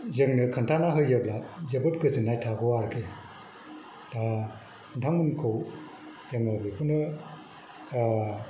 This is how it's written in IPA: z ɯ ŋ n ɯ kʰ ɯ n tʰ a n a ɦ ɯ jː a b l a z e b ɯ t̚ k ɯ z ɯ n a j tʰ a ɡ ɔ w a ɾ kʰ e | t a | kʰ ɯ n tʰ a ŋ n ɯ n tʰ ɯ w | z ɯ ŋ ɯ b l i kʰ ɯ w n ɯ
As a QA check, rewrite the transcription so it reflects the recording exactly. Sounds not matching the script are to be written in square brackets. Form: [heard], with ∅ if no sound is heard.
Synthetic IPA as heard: z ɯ ŋ n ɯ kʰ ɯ n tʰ a n a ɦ ɯ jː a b l a z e b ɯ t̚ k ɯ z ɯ n a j tʰ a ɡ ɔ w a ɾ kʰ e | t a | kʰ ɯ n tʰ a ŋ [m] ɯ n [kʰ] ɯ w | z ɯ ŋ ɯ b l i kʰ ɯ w n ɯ